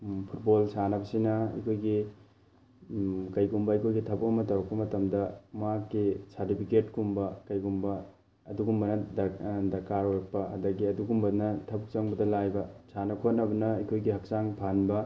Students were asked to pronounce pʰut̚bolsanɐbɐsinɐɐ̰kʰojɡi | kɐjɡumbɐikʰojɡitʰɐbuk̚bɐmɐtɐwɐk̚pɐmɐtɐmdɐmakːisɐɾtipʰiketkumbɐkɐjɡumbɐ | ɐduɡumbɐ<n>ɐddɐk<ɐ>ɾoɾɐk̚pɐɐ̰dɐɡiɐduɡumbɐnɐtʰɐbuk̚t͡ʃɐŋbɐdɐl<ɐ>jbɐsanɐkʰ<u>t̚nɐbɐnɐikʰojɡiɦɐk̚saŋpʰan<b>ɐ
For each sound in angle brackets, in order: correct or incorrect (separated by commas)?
correct, incorrect, incorrect, incorrect, correct